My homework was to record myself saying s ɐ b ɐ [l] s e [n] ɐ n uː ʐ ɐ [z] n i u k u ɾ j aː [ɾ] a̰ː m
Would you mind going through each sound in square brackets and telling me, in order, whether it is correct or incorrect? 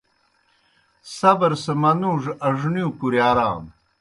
incorrect, incorrect, incorrect, correct

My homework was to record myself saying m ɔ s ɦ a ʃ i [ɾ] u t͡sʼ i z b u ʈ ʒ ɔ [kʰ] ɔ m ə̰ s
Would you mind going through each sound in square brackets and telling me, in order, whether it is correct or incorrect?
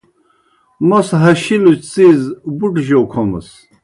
incorrect, correct

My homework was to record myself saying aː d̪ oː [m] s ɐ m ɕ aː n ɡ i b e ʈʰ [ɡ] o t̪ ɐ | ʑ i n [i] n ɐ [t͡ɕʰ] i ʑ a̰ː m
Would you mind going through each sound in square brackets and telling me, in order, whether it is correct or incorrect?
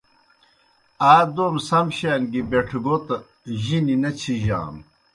correct, correct, correct, correct

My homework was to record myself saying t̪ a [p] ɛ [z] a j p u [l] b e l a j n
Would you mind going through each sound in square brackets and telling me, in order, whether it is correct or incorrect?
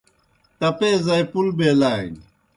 correct, correct, correct

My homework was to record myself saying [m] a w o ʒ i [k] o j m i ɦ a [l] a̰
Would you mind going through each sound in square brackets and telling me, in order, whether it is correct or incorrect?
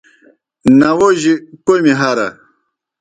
incorrect, correct, incorrect

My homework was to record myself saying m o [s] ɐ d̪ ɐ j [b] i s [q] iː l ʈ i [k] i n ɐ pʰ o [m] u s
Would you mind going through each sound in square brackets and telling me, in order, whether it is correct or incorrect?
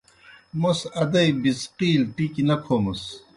correct, correct, correct, correct, correct

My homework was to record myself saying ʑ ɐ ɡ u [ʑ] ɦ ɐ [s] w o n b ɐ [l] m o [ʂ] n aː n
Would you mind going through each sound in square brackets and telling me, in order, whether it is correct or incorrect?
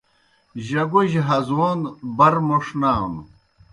correct, incorrect, incorrect, correct

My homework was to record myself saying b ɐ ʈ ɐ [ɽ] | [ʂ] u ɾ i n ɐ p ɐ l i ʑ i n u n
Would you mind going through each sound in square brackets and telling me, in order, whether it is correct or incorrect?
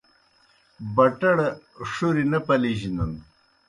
correct, correct

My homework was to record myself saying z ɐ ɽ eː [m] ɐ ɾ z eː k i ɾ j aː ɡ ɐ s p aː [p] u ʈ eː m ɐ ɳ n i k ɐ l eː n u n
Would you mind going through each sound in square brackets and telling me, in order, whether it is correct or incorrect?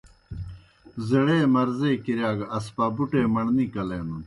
correct, incorrect

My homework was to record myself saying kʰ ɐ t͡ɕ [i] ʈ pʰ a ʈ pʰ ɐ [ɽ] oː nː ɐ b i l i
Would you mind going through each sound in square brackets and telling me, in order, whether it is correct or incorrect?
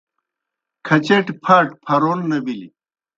incorrect, incorrect

